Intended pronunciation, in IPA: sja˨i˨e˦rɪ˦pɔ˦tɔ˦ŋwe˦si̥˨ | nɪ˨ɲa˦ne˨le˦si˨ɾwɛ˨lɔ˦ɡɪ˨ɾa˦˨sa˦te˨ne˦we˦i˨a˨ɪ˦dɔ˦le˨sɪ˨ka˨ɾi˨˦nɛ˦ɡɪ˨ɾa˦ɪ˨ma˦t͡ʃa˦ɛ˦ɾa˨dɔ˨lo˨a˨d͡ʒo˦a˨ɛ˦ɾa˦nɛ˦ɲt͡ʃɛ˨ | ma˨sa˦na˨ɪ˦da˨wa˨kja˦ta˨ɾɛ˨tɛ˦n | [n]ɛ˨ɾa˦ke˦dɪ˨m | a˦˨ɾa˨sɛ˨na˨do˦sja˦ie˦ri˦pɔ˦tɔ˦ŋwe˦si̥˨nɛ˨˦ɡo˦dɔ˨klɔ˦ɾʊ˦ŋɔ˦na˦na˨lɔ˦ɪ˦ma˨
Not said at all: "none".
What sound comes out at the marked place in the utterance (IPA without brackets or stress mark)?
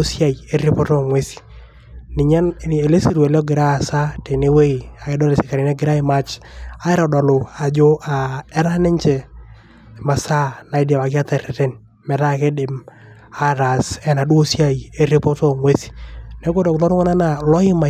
m